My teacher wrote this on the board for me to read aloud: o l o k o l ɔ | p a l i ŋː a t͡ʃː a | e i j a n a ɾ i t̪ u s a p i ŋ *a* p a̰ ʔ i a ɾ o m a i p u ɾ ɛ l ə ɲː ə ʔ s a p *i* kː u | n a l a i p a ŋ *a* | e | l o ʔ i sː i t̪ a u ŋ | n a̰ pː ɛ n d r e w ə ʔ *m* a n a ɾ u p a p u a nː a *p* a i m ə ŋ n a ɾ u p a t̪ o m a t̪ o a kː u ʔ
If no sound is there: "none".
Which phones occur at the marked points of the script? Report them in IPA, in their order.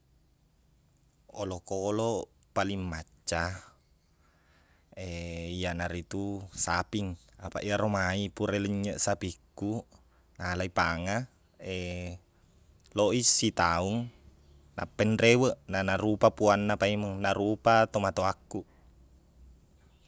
a, i, a, n, p

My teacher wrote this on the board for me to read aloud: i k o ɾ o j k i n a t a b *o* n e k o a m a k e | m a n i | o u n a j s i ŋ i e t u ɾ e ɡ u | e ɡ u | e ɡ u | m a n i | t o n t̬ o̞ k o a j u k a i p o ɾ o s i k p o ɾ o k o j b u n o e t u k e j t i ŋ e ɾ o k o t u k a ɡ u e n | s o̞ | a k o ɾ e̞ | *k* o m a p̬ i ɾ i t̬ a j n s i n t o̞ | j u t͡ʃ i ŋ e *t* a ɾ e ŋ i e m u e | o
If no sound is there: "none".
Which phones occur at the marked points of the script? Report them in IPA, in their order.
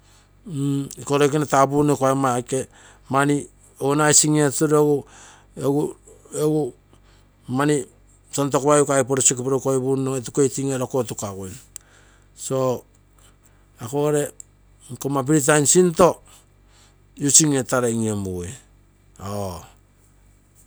u, k, t

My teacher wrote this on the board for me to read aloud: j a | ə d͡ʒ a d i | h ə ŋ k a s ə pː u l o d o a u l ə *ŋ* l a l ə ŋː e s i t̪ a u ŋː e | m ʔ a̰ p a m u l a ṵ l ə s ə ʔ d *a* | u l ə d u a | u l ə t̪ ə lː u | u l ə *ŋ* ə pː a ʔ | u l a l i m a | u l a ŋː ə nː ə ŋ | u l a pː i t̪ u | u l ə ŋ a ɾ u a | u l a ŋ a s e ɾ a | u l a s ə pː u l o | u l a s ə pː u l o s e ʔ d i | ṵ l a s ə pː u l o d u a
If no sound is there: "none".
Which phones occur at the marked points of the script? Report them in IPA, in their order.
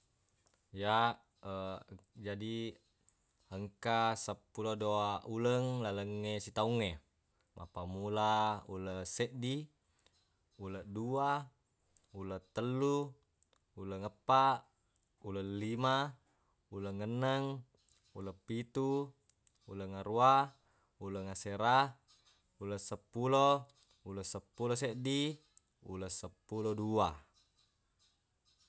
ŋ, i, ŋ

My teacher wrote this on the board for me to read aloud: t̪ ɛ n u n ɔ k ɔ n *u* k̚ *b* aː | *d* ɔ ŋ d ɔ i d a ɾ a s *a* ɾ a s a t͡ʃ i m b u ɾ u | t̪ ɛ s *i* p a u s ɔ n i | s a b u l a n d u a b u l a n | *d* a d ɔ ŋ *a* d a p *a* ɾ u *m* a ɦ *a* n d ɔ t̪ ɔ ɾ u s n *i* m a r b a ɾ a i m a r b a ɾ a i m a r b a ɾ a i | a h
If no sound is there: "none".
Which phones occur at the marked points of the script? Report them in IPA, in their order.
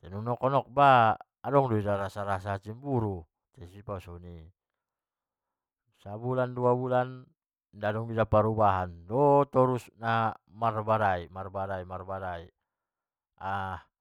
ɔ, b, d, a, i, d, i, a, b, a, a

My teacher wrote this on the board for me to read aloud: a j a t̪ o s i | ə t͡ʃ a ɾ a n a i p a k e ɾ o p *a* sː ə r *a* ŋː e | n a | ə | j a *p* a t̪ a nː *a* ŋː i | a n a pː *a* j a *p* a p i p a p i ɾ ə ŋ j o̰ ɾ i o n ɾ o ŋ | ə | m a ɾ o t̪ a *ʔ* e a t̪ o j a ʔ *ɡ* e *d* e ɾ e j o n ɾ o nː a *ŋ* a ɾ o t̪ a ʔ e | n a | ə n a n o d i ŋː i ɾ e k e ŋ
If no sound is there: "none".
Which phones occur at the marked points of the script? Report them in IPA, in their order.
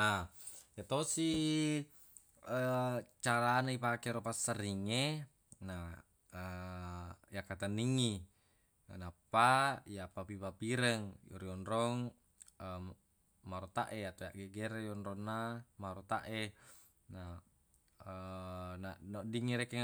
a, i, k, i, a, p, ʔ, ɡ, ɡ, m

